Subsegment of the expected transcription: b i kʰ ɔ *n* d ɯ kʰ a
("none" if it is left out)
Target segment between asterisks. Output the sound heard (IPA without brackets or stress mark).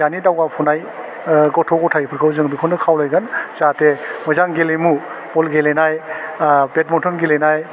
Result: n